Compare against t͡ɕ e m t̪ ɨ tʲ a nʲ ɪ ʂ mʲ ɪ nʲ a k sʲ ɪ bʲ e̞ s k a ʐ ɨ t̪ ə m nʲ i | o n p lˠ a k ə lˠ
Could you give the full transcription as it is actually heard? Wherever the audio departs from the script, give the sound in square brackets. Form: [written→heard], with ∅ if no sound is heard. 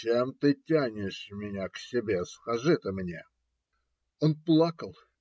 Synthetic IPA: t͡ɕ e m t̪ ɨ tʲ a nʲ ɪ ʂ mʲ ɪ nʲ a k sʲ ɪ bʲ e̞ s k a ʐ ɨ t̪ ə m nʲ [i→e] | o n p lˠ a k ə lˠ